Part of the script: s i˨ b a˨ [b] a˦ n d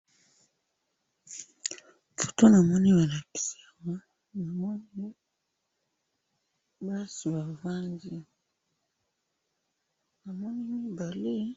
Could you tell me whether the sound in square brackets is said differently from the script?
yes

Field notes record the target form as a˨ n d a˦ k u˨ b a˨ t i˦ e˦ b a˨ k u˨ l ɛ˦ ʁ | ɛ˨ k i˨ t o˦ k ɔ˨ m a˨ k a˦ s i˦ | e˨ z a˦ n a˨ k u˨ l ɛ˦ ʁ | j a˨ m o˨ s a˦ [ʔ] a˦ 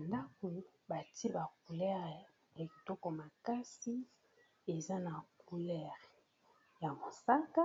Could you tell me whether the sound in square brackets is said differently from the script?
yes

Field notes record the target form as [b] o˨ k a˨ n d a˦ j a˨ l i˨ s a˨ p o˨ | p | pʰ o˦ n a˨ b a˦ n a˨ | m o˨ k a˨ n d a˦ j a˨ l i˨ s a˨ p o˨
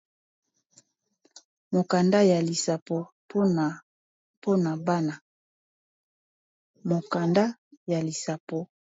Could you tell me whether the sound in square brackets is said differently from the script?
yes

